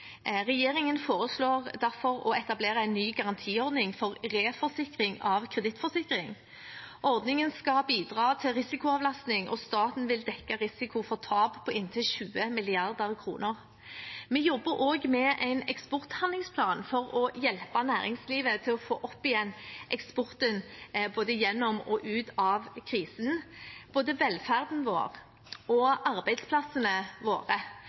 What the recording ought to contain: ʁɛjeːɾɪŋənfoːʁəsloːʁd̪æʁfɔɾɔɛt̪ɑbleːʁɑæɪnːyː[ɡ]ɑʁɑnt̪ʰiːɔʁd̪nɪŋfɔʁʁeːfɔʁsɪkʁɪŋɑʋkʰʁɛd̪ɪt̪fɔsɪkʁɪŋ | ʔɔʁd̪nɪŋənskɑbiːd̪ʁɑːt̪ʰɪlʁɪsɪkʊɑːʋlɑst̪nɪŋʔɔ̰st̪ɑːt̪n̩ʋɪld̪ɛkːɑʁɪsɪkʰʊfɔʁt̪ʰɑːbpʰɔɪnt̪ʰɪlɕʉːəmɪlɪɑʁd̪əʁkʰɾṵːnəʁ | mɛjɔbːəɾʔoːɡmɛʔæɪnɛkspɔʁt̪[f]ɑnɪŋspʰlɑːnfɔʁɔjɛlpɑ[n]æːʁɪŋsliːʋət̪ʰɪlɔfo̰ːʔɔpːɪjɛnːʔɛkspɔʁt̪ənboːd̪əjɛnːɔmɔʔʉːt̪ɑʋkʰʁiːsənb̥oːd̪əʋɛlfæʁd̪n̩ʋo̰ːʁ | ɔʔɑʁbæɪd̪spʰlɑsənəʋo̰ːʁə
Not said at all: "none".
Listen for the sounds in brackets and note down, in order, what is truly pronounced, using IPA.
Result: ɡ, h, n

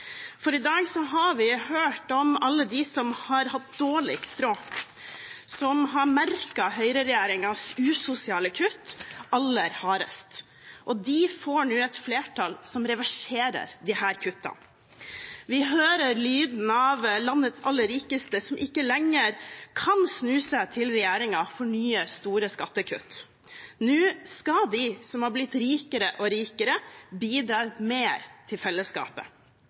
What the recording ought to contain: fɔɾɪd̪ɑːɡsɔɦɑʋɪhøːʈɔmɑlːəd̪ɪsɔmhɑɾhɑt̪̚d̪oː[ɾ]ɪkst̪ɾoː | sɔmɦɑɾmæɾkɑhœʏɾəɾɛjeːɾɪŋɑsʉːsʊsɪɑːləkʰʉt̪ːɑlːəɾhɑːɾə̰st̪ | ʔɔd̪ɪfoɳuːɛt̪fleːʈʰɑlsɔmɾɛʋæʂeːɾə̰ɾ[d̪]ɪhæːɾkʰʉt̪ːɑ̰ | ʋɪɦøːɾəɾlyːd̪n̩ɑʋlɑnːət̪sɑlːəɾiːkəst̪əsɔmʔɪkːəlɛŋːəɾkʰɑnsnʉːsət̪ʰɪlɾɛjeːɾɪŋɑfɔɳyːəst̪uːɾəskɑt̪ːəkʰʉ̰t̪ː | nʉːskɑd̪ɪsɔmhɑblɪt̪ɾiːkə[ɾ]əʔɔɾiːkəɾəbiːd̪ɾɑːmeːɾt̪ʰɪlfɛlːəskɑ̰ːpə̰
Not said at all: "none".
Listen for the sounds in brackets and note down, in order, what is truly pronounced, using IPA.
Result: ɭ, d̪, ɾ

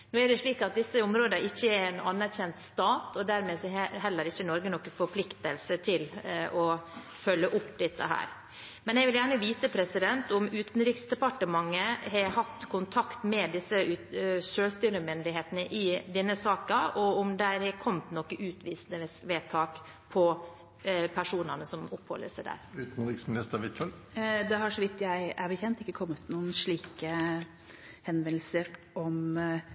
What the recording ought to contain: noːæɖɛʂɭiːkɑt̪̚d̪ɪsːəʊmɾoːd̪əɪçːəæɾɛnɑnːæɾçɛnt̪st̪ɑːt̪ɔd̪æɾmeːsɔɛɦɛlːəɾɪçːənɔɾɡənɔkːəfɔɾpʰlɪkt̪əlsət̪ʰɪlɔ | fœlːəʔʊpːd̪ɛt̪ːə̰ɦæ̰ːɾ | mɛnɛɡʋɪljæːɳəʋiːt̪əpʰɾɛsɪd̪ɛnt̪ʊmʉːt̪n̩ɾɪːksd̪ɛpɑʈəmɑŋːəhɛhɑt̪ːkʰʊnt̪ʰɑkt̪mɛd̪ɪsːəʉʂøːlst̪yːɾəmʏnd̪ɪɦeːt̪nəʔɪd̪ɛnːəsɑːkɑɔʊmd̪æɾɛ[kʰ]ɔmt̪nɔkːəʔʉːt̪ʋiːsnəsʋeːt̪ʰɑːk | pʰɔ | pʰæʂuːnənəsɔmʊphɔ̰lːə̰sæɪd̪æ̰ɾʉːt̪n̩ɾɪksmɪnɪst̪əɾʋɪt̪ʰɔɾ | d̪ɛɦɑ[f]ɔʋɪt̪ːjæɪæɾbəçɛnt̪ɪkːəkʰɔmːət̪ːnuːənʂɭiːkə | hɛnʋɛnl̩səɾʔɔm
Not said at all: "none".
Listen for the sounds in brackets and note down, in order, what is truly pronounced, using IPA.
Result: kʰ, ʂ

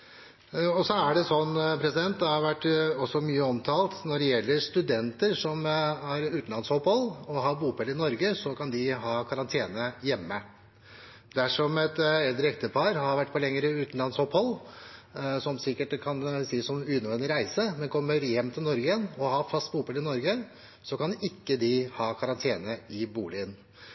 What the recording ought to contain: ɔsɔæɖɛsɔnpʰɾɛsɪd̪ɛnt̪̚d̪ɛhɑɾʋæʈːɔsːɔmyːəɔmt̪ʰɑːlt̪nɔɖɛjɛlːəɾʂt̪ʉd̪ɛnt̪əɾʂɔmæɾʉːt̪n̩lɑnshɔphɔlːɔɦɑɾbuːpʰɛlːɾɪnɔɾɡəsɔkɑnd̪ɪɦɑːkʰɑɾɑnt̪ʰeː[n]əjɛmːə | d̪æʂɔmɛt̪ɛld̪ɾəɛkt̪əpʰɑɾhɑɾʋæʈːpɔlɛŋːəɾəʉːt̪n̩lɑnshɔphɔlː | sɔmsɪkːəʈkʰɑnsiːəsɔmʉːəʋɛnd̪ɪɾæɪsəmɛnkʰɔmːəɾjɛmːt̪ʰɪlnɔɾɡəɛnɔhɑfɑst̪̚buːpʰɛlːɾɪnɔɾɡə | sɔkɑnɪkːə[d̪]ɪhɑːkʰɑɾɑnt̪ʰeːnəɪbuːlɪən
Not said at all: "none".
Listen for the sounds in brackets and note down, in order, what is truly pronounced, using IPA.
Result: n, d̪

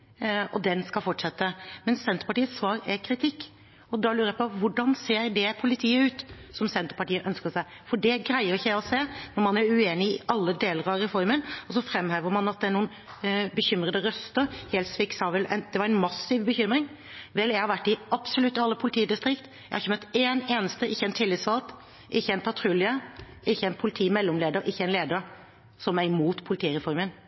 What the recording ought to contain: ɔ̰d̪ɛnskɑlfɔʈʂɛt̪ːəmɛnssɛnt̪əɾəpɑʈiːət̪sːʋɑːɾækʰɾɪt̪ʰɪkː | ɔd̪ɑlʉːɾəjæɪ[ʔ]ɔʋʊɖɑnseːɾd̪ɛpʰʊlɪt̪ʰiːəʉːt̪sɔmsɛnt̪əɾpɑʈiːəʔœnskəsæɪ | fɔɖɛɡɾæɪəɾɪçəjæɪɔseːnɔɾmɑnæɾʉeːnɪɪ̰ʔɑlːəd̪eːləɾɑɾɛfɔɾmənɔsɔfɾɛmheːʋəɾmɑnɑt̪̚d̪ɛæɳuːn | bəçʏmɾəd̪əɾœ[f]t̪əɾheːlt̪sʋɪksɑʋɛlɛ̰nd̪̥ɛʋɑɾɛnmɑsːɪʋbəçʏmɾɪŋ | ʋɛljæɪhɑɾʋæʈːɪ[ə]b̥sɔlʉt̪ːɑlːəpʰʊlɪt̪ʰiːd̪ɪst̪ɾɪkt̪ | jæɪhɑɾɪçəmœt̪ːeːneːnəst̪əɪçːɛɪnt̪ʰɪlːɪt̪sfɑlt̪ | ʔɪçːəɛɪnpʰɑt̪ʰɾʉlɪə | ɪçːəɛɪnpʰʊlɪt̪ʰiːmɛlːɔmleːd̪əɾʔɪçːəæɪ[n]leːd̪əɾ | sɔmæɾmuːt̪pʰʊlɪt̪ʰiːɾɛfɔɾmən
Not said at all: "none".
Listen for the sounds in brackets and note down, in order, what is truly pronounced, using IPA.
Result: p, s, ɑ, n

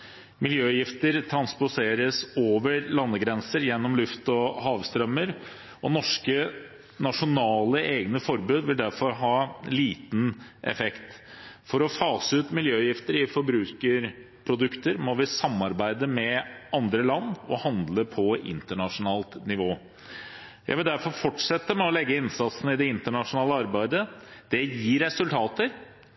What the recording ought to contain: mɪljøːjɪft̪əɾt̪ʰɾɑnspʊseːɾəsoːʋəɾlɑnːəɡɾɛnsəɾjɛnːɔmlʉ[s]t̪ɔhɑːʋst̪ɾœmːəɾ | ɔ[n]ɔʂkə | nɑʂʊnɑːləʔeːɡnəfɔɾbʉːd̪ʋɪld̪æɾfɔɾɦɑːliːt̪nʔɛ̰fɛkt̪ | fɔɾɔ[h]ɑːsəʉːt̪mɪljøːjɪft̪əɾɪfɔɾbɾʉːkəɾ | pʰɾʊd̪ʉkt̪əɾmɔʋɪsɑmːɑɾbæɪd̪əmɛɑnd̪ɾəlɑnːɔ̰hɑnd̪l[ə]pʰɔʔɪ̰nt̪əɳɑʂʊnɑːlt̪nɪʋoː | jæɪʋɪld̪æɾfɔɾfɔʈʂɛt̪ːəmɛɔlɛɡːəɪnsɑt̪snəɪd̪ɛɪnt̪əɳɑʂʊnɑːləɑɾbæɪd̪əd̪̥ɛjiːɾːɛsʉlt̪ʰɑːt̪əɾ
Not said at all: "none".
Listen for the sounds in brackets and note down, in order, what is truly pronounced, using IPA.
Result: f, n, f, ə

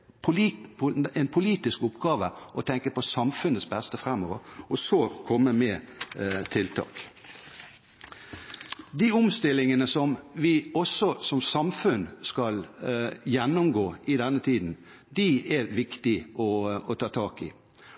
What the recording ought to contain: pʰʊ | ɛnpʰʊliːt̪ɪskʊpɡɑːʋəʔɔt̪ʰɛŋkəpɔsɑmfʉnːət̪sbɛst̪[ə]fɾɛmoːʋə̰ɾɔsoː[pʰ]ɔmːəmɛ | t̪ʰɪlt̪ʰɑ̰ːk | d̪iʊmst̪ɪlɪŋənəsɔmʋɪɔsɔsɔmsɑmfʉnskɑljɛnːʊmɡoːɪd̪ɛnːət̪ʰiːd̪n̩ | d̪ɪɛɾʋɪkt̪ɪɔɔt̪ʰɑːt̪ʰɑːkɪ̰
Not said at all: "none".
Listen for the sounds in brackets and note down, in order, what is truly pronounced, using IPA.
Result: ə, kʰ

